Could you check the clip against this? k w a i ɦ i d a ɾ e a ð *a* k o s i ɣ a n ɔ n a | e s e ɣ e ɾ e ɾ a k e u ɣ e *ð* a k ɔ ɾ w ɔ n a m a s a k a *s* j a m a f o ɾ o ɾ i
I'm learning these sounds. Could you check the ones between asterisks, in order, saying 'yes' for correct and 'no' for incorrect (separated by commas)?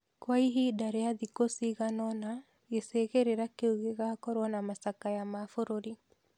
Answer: no, no, no